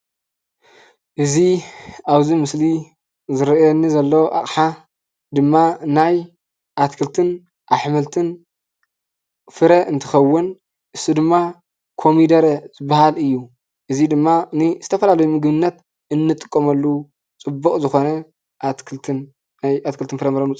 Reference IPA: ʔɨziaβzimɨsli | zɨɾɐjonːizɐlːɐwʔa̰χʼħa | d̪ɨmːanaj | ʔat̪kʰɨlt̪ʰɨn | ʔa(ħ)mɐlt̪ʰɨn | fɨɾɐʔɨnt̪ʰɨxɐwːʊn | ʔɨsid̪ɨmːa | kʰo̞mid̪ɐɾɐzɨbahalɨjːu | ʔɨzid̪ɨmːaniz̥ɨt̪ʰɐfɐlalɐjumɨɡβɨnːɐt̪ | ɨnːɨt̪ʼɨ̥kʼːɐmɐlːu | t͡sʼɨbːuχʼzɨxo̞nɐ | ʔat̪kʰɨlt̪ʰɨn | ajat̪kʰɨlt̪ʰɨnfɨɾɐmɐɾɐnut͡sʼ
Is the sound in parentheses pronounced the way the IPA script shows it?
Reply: yes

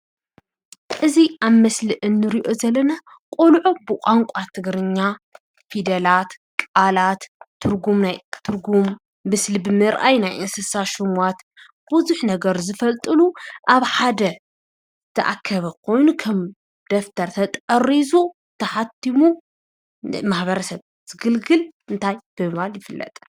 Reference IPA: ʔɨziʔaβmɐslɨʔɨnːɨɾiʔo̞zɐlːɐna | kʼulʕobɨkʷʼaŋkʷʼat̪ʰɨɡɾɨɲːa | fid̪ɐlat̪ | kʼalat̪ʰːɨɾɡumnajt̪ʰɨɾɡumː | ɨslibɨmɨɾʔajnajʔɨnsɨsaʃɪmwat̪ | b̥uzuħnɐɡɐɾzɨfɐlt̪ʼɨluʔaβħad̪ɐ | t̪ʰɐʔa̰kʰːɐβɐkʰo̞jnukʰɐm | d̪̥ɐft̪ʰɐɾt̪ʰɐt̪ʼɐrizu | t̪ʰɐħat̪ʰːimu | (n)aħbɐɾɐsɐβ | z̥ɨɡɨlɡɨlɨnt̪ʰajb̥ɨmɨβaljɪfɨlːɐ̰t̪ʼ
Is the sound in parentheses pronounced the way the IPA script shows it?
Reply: no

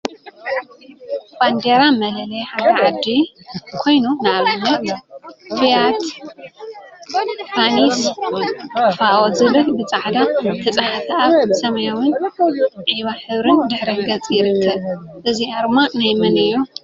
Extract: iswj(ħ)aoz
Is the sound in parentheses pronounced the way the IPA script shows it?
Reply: no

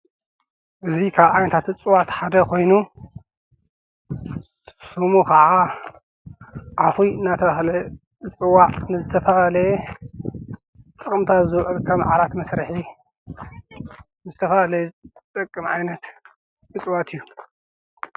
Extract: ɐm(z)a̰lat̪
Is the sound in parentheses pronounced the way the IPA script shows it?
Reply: no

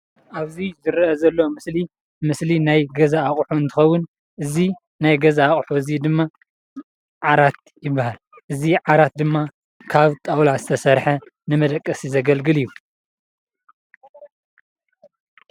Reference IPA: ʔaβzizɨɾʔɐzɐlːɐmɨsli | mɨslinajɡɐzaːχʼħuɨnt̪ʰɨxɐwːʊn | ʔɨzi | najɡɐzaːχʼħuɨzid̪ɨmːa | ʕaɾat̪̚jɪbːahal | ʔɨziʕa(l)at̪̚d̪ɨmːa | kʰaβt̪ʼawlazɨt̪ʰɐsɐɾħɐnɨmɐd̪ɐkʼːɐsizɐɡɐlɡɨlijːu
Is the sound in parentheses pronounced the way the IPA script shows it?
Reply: no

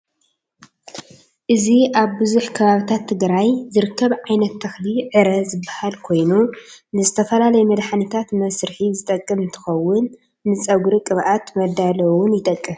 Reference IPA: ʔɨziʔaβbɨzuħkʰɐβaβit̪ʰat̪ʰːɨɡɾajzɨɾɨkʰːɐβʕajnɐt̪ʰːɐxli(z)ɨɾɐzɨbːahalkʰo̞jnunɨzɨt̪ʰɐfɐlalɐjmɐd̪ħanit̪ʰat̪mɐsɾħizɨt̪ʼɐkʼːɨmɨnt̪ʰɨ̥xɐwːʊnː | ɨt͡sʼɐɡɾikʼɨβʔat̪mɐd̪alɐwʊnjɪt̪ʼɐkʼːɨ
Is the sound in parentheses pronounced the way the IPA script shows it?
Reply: no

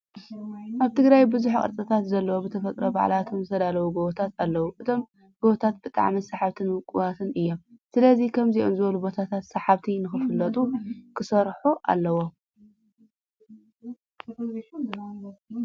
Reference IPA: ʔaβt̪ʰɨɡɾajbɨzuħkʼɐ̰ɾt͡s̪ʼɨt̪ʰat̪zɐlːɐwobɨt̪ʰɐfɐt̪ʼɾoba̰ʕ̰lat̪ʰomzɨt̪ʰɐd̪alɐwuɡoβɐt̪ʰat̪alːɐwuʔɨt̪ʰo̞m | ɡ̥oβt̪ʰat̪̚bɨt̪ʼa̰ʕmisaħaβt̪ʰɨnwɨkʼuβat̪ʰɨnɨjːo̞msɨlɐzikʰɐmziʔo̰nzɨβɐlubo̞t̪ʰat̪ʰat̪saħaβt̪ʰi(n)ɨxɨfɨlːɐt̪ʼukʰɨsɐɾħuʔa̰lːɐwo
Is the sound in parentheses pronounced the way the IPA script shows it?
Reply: yes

